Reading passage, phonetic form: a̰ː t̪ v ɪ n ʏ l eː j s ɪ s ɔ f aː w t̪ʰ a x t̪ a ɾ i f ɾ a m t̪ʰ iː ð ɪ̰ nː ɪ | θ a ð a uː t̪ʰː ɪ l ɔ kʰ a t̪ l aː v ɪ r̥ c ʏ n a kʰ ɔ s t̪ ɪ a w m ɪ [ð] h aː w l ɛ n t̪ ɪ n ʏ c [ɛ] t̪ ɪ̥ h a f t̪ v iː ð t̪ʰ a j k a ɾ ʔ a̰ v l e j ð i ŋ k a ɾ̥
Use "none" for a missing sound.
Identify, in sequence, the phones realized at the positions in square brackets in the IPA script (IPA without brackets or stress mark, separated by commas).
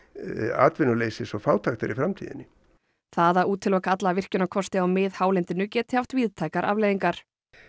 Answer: ð, ɛː